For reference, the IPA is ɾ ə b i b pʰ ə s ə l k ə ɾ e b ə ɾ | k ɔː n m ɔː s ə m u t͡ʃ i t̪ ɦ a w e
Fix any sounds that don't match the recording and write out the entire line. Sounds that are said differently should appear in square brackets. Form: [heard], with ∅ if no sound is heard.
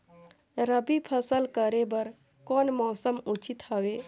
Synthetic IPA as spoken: ɾ ə b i [∅] pʰ ə s ə l k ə ɾ e b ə ɾ | k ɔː n m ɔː s ə m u t͡ʃ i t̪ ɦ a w e